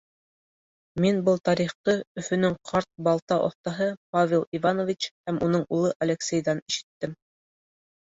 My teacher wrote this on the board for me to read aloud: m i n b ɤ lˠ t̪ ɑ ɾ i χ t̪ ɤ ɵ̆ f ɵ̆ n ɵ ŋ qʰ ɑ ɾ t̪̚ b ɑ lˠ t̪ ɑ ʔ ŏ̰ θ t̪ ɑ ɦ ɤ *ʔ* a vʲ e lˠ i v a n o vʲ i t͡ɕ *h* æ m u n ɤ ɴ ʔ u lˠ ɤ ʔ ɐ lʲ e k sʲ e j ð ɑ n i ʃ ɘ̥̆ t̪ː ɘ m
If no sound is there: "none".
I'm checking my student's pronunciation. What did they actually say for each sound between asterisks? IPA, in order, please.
p, h

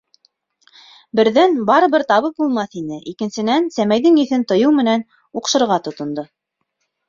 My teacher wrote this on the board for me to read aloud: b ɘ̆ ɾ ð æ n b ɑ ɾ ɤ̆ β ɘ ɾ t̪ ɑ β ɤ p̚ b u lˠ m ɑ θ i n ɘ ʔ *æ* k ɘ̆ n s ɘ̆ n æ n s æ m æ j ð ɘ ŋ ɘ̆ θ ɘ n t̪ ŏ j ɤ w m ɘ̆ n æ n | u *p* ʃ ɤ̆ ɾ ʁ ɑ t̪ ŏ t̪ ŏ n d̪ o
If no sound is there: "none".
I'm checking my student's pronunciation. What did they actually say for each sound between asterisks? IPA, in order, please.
i, q

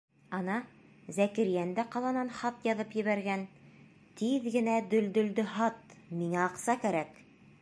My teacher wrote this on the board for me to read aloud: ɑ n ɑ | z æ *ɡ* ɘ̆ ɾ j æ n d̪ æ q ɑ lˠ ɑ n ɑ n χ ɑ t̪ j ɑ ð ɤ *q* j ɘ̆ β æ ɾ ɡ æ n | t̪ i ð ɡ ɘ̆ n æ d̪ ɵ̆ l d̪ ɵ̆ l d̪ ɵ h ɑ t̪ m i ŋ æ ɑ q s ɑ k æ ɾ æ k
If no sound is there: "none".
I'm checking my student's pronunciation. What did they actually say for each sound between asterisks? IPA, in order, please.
k, p

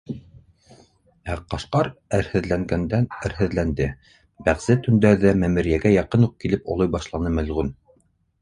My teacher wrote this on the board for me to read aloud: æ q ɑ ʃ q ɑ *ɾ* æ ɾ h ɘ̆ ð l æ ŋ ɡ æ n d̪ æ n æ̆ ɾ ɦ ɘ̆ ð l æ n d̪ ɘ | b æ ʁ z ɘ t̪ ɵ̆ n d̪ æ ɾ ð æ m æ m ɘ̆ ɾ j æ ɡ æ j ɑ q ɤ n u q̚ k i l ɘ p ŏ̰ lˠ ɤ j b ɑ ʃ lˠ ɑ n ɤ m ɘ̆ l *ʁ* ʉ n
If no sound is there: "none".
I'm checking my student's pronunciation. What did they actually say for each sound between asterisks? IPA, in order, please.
ɾ, ʁ

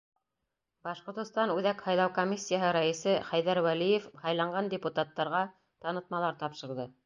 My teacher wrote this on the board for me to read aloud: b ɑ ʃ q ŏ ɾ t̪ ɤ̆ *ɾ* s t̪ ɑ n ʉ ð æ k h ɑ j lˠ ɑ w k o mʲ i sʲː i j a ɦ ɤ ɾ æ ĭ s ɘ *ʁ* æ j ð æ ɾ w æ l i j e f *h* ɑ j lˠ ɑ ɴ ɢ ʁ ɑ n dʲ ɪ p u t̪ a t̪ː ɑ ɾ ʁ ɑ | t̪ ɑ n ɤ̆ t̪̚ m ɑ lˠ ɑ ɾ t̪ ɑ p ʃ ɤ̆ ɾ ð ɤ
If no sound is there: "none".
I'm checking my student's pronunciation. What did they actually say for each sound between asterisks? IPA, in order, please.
none, χ, h

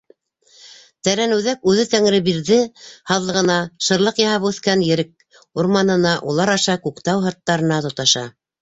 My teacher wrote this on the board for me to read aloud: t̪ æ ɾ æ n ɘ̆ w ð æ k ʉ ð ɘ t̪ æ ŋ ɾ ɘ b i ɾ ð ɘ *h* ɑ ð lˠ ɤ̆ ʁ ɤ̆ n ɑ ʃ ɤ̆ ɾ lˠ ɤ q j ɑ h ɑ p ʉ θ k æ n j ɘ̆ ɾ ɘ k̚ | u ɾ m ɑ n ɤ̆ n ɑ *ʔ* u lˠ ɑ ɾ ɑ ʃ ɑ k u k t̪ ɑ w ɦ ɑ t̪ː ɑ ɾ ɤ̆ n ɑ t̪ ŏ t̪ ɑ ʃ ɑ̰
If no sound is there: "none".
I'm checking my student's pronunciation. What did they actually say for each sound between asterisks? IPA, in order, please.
h, ʔ

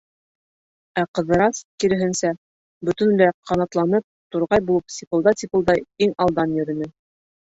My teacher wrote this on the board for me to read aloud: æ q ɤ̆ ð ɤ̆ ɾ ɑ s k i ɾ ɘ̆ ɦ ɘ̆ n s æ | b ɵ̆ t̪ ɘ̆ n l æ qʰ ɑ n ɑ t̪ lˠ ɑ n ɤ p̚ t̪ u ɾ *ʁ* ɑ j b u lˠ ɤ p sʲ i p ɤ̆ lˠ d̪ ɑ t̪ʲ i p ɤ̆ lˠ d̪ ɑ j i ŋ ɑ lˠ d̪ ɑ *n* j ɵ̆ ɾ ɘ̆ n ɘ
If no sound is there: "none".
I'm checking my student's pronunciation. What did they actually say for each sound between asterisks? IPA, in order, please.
ʁ, n

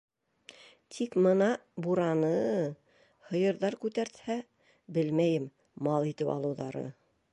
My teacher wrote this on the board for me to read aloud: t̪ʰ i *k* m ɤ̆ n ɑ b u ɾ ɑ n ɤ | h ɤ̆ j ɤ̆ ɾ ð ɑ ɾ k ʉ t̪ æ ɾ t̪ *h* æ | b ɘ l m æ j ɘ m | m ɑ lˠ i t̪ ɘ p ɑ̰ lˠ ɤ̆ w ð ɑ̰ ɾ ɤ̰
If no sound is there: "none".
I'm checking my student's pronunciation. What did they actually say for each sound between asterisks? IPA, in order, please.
k, h

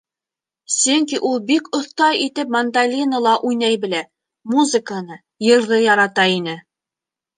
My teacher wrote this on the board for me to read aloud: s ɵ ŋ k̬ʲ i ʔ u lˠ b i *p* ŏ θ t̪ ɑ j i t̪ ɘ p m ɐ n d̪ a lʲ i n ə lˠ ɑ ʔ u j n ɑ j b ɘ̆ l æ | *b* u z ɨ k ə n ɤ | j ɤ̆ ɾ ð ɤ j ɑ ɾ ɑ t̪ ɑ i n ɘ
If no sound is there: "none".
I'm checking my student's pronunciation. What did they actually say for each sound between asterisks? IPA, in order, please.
k, m

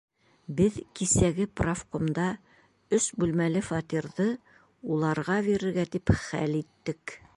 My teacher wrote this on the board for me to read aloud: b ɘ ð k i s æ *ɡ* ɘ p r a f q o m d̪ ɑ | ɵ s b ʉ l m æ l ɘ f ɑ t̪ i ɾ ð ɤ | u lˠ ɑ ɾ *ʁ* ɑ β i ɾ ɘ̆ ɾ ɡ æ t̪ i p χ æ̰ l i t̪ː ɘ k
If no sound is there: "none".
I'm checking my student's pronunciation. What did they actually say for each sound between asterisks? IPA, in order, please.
ɡ, ʁ

